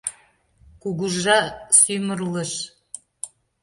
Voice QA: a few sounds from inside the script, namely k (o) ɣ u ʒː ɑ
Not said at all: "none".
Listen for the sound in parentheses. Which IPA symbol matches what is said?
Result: u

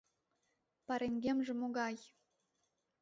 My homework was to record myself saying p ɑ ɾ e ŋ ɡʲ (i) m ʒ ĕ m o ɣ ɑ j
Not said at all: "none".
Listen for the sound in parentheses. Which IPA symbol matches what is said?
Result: e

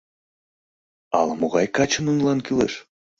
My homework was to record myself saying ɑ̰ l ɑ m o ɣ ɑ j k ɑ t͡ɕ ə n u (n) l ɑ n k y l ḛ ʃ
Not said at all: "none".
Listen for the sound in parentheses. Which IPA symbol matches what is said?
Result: n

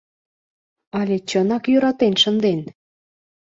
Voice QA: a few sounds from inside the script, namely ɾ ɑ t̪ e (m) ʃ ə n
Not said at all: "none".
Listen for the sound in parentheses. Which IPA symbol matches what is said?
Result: n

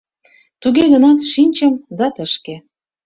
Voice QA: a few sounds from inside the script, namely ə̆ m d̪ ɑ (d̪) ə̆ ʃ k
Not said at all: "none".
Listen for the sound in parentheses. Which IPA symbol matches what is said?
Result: t̪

